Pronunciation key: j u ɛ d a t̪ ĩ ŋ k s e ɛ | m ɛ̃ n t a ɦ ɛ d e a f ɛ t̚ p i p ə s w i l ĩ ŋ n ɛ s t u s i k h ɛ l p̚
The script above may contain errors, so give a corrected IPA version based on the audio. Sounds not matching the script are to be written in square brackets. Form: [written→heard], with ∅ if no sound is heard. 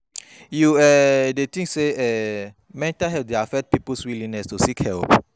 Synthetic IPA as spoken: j u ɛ d [a→e] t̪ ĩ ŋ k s e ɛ | m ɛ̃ n t a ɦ ɛ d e a f ɛ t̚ p i p ə s w i l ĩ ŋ n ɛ s t u s i k h ɛ l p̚